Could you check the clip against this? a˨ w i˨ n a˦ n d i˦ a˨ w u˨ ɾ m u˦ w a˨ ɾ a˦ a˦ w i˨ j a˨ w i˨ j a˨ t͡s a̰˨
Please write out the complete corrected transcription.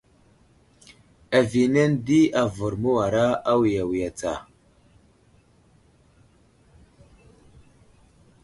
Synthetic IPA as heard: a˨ v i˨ n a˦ n d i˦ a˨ v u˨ ɾ m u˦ w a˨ ɾ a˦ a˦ w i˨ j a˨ w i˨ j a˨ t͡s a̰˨